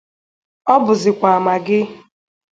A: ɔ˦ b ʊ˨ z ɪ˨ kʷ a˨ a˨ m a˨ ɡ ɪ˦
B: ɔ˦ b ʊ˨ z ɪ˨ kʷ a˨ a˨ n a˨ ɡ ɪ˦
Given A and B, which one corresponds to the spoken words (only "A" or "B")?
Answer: A